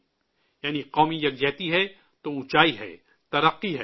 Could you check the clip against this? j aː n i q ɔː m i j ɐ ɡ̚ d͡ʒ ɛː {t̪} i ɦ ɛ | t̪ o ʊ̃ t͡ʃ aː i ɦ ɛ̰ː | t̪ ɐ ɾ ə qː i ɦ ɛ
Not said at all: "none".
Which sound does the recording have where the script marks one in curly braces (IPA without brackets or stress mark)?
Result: t̪